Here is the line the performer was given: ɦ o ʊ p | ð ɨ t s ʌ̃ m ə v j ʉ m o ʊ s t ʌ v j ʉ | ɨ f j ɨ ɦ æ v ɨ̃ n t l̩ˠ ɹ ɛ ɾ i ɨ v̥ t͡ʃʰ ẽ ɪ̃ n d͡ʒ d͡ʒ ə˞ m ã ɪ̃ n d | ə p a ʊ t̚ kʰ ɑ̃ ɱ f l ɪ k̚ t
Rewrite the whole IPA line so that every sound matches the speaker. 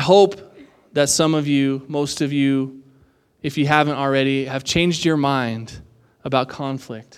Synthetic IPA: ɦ o ʊ p | ð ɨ t s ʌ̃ m ʌ v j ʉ m o ʊ s t ʌ v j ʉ | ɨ f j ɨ ɦ æ v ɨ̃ n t l̩ˠ ɹ ɛ ɾ i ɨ v̥ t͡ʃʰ ẽ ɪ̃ n d͡ʒ d͡ʒ ə˞ m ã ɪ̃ n d | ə b a ʊ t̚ kʰ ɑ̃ ɱ f l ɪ k̚ t